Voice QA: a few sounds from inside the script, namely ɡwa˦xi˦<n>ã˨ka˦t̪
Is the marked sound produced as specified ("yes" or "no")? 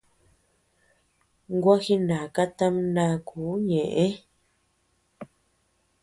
yes